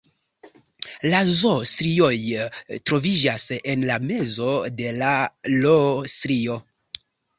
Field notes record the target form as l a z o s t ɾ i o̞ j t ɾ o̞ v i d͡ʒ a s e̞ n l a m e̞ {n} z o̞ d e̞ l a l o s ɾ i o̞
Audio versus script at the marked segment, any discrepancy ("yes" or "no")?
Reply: yes